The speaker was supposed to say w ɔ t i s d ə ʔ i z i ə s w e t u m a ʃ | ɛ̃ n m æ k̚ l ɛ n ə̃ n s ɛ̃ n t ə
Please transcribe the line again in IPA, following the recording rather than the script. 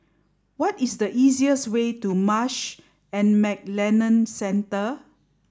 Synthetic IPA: w ɔ t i s d ə ʔ i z i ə s w e t u m a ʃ | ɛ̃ n m ɛ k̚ l ɛ n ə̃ n s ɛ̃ n t ə